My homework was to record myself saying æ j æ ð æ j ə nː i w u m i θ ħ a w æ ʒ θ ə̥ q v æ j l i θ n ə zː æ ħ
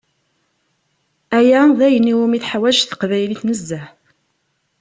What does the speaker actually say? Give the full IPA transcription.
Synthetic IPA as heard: æ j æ ð æ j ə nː i w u m i θ ħ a w æ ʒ θ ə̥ q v æ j l i θ n ə zː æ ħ